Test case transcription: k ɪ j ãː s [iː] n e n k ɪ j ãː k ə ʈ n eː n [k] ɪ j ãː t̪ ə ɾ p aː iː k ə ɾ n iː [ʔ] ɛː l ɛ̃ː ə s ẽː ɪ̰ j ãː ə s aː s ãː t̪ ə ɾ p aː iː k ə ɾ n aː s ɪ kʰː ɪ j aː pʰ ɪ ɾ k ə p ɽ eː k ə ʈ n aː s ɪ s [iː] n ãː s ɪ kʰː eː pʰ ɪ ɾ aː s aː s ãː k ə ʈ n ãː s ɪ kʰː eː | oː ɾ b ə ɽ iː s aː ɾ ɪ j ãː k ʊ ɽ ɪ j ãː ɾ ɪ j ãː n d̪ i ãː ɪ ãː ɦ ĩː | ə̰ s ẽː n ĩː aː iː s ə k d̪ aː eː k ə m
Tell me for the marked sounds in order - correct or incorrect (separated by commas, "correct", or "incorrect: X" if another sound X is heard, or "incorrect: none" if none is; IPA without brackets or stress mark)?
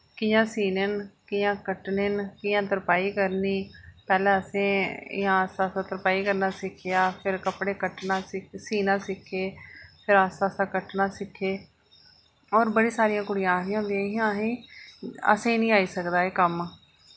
correct, correct, incorrect: p, correct